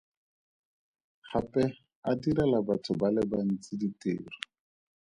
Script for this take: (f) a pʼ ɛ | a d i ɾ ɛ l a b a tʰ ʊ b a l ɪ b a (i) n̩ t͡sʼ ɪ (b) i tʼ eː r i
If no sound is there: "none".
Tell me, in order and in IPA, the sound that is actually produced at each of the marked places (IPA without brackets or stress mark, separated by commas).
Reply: χ, a, d